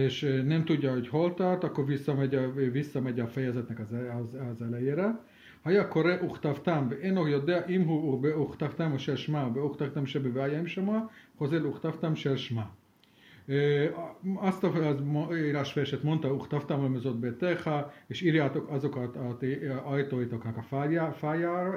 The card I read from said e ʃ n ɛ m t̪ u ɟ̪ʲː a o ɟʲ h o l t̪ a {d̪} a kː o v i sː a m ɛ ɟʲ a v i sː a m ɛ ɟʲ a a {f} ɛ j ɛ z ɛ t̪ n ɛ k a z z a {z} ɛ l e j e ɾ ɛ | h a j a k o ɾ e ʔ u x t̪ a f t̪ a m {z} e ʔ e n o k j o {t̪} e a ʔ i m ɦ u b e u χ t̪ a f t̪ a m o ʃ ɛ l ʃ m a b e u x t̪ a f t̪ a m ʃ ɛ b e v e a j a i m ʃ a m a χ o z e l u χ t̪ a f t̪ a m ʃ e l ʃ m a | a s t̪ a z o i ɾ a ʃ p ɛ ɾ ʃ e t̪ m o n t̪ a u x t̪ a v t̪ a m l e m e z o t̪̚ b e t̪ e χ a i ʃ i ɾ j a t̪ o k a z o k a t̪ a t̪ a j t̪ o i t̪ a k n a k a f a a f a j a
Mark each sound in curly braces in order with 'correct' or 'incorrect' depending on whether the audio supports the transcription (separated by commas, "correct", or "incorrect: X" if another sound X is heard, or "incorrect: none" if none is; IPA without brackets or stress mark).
incorrect: t̪, correct, correct, incorrect: v, incorrect: d̪